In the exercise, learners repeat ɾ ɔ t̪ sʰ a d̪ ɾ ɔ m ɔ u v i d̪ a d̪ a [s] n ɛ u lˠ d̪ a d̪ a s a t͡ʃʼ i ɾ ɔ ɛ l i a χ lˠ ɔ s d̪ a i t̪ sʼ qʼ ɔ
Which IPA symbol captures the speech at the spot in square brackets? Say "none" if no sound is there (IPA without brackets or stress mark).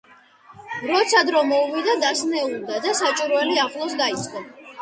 s